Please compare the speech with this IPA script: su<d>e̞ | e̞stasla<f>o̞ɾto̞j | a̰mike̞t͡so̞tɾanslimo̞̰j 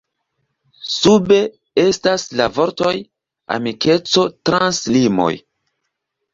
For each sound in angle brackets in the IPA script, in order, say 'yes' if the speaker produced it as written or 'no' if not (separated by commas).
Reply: no, no